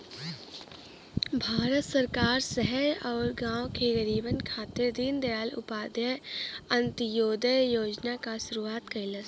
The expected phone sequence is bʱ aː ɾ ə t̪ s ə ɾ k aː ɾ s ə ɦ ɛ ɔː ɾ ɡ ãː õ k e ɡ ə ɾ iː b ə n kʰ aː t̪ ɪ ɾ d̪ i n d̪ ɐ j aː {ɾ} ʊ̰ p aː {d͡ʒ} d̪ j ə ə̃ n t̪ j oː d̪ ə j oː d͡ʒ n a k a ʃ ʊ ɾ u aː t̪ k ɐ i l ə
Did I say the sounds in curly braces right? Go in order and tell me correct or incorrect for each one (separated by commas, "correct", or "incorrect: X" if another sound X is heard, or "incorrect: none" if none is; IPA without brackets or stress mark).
incorrect: l, incorrect: none